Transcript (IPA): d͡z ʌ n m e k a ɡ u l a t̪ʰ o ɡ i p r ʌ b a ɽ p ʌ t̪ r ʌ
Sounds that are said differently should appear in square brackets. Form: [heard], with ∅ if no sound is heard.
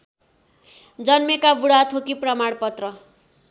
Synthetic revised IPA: d͡z ʌ n m e k a [b] u [ɽ] a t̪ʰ o [k] i p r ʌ [m] a ɽ p ʌ t̪ r ʌ